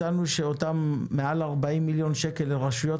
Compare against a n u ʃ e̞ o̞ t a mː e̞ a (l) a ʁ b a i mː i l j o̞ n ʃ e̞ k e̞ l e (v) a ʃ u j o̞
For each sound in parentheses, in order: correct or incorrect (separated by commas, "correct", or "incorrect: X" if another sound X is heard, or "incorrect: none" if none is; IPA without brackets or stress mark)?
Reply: correct, incorrect: ʁ